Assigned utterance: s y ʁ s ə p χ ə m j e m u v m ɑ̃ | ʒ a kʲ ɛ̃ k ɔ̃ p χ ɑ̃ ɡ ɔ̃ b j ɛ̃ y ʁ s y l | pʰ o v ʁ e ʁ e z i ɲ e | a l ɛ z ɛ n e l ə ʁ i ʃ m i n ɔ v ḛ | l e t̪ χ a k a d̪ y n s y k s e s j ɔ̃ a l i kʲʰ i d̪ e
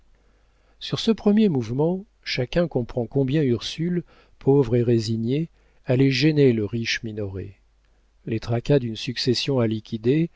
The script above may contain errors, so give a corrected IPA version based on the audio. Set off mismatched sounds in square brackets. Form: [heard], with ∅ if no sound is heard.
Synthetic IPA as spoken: s y ʁ s ə p χ ə m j e m u v m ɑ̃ | [ʃ] a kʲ ɛ̃ k ɔ̃ p χ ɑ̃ [k] ɔ̃ b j ɛ̃ y ʁ s y l | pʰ o v ʁ e ʁ e z i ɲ e | a l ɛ [ʒ] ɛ n e l ə ʁ i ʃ m i n ɔ [ʁ] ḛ | l e t̪ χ a k a d̪ y n s y k s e s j ɔ̃ a l i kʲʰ i d̪ e